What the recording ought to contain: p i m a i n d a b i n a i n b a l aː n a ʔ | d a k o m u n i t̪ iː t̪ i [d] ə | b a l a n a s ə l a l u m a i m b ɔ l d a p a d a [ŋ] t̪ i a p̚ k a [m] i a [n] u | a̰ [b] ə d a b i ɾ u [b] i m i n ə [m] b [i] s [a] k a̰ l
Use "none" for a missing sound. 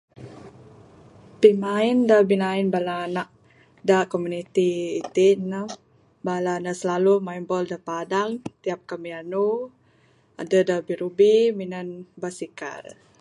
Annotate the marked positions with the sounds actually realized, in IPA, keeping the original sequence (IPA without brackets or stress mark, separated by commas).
n, ŋ, m, n, d, b, n, a, i